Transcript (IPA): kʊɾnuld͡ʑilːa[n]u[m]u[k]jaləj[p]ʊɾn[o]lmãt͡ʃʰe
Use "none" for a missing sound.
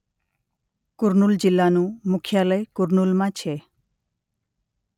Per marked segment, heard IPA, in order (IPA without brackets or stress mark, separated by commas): n, m, kʰ, k, u